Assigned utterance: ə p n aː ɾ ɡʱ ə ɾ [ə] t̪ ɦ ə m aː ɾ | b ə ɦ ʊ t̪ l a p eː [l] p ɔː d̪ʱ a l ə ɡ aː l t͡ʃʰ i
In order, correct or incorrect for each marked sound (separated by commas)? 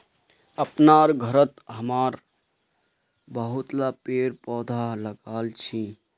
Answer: correct, incorrect